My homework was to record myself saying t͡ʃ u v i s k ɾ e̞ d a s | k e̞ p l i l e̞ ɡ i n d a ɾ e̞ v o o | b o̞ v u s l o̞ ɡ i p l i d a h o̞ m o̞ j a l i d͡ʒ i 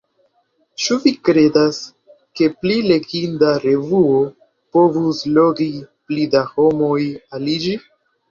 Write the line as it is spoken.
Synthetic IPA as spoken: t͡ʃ u v i k ɾ e̞ d a s | k e̞ p l i l e̞ ɡ i n d a ɾ e̞ v u o | p o̞ v u s l o̞ ɡ i p l i d a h o̞ m o̞ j a l i d͡ʒ i

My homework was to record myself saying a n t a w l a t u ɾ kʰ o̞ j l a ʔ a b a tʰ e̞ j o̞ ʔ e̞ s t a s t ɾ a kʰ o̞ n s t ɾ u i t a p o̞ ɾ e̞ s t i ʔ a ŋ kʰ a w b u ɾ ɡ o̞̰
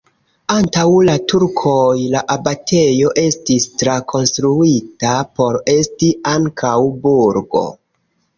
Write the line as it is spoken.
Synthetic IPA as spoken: a n t a w l a t u ɾ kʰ o̞ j l a ʔ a b a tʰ e̞ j o̞ ʔ e̞ s t i s t ɾ a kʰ o̞ n s t ɾ u i t a p o̞ ɾ e̞ s t i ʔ a ŋ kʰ a w b u ɾ ɡ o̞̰

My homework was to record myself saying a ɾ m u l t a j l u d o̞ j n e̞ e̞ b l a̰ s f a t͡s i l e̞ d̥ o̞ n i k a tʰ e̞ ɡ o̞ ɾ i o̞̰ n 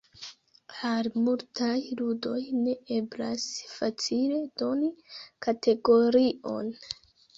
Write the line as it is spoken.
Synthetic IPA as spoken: a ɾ m u l t a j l u d o̞ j n e̞ e̞ b l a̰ s f a t͡s i l e̞ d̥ o̞ n i k a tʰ e̞ ɡ o̞ ɾ i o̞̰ n

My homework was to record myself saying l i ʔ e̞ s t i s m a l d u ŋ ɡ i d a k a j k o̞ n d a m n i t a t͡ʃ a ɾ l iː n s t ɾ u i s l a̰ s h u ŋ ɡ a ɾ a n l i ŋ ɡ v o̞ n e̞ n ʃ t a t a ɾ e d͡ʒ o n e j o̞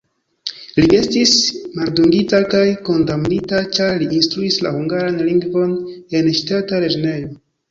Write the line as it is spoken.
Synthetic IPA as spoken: l i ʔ e̞ s t i s m a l d u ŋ ɡ i t a k a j k o̞ n d a m n i t a t͡ʃ a ɾ l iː n s t ɾ u i s l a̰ h u ŋ ɡ a ɾ a n l i ŋ ɡ v o̞ n e̞ n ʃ t a t a ɾ e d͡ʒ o n e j o̞

